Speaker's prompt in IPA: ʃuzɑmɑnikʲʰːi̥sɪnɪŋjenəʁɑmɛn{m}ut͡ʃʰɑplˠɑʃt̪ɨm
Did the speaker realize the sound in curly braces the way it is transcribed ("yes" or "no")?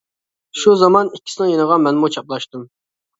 yes